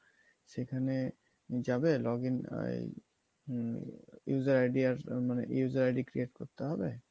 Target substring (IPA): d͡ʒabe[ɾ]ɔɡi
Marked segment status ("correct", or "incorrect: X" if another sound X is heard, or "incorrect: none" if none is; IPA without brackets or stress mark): incorrect: l